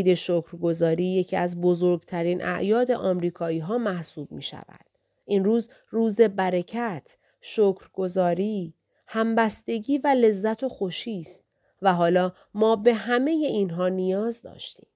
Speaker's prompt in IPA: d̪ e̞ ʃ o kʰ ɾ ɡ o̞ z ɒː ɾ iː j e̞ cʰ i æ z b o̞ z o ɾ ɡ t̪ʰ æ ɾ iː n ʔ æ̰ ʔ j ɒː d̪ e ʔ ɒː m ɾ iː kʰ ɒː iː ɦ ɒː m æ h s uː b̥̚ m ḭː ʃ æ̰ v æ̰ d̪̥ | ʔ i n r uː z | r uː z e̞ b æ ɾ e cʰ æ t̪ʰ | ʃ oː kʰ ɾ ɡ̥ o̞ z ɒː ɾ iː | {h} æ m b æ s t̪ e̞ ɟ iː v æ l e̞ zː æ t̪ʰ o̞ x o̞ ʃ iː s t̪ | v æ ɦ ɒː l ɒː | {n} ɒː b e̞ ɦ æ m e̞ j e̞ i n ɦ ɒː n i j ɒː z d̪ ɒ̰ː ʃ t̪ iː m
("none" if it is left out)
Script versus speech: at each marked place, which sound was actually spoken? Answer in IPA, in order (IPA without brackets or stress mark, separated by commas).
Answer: h, m